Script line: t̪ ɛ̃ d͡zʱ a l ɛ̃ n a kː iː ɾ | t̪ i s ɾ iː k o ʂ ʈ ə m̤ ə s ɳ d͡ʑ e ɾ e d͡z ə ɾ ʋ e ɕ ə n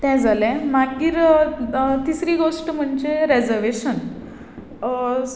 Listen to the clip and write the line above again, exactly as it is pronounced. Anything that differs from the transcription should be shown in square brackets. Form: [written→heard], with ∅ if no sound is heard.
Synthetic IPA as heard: t̪ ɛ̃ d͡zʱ a l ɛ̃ [n→m] a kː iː ɾ | t̪ i s ɾ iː [k→ɡ] o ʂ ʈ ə m̤ ə [s→∅] ɳ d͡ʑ e ɾ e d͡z ə ɾ ʋ e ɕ ə n